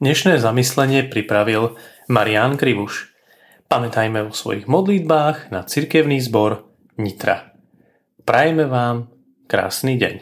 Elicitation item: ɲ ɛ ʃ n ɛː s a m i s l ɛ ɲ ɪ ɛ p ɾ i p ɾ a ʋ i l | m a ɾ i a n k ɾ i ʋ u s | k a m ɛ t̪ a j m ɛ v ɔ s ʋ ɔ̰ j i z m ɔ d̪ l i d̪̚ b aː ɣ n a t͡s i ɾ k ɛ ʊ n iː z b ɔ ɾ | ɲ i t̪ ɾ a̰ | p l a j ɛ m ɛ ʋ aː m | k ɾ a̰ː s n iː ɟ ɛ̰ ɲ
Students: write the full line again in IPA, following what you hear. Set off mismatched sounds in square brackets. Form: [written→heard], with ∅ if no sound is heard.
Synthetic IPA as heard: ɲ ɛ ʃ n ɛː [s→z] a m i s l ɛ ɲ ɪ ɛ p ɾ i p ɾ a ʋ i l | m a ɾ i a n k ɾ i ʋ u [s→ʃ] | [k→p] a m ɛ t̪ a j m ɛ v ɔ s ʋ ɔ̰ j i [z→ɣ] m ɔ d̪ l i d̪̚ b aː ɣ n a t͡s i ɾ k ɛ ʊ n iː z b ɔ ɾ | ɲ i t̪ ɾ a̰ | p [l→ɾ] a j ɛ m ɛ ʋ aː m | k ɾ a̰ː s n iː ɟ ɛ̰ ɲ